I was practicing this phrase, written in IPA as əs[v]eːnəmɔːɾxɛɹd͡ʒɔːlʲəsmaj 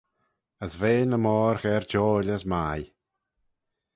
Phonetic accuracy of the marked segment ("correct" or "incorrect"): correct